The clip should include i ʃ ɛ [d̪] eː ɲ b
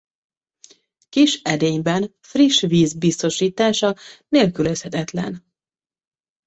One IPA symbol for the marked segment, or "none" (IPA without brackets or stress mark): d̪